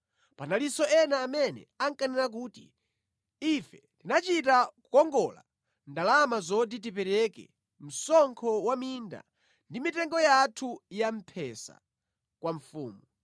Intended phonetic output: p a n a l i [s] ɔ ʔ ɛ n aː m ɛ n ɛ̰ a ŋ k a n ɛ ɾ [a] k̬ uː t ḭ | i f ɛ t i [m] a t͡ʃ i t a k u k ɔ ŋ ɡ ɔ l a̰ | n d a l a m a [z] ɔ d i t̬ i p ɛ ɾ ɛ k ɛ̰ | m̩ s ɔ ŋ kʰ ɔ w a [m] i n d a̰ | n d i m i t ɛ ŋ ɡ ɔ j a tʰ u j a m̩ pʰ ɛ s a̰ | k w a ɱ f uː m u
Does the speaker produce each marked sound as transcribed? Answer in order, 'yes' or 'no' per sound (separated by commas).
yes, yes, no, yes, yes